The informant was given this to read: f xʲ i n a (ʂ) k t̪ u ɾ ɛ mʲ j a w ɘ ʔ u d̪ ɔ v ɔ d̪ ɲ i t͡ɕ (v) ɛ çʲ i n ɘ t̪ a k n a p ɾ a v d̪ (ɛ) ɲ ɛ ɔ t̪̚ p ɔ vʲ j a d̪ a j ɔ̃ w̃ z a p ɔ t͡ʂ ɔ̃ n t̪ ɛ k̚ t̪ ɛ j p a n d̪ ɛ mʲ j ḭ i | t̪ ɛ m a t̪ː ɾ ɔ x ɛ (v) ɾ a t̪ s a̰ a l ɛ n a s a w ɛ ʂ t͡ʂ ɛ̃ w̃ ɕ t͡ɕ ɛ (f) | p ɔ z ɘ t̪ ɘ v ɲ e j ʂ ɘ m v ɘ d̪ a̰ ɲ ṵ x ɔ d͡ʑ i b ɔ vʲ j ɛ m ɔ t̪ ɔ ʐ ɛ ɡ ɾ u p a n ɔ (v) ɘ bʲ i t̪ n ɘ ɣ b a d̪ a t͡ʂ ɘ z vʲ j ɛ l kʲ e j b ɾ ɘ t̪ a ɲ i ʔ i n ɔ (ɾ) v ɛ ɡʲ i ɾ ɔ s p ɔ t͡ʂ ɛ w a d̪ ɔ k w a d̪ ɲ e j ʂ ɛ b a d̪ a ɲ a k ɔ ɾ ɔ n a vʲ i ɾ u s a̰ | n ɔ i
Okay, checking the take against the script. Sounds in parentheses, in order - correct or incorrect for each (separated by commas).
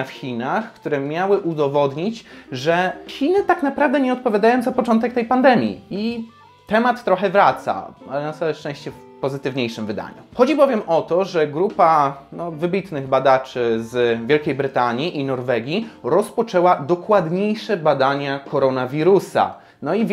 incorrect, incorrect, correct, correct, correct, correct, correct